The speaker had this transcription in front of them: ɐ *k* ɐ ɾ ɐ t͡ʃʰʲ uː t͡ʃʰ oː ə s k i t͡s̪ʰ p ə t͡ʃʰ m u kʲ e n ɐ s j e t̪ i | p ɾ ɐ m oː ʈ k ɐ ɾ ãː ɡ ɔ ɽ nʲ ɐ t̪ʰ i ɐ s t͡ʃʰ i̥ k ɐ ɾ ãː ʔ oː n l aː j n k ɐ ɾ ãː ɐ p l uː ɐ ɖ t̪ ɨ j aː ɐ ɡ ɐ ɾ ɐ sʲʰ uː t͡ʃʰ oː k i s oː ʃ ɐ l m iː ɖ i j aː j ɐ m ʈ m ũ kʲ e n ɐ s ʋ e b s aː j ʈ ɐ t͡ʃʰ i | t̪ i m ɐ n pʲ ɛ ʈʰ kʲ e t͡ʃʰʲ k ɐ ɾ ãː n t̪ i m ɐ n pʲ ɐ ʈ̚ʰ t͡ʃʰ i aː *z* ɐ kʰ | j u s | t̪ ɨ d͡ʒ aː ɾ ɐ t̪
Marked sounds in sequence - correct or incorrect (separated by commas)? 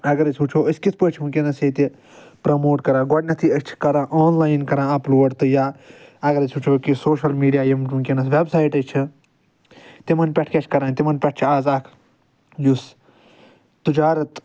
incorrect, correct